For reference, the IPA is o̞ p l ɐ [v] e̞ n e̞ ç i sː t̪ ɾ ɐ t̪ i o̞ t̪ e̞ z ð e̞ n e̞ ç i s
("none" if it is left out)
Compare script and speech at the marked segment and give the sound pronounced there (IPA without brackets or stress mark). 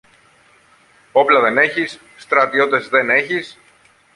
ð